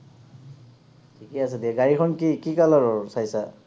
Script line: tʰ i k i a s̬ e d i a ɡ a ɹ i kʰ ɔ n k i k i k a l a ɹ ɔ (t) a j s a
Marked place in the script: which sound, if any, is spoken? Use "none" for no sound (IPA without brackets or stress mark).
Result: s